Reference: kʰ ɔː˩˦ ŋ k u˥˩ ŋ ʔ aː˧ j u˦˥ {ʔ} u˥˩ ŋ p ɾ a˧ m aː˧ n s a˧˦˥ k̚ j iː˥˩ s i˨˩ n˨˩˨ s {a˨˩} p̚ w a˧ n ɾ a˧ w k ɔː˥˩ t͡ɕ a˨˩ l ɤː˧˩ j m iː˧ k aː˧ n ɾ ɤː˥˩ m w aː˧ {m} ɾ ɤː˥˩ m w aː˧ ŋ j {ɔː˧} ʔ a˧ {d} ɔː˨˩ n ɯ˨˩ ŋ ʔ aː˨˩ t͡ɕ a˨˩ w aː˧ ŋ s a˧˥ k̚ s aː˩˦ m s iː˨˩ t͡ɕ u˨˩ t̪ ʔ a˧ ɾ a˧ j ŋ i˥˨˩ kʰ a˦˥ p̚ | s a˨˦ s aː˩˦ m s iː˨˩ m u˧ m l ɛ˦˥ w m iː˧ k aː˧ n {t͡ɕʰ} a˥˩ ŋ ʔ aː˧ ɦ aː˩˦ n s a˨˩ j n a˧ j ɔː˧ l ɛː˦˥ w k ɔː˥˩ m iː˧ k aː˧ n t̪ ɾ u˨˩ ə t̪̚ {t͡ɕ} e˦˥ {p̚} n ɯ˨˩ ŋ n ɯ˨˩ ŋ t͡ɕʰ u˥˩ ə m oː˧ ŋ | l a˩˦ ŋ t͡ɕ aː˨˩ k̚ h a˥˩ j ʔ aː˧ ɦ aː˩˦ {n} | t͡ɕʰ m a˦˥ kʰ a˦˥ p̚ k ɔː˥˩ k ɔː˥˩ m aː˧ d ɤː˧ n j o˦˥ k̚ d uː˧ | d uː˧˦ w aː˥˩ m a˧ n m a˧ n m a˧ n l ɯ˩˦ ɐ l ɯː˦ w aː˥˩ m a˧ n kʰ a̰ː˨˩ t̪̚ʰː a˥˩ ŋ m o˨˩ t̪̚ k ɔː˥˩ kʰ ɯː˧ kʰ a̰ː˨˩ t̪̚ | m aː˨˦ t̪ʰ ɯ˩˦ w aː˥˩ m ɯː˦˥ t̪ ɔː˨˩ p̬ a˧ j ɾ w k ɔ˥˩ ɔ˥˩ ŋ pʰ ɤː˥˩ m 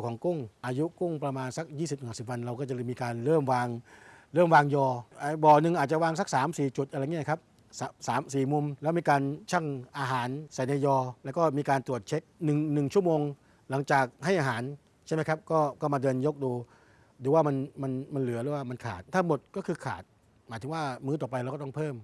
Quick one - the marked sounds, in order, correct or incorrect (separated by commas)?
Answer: incorrect, incorrect, incorrect, correct, incorrect, correct, incorrect, incorrect, correct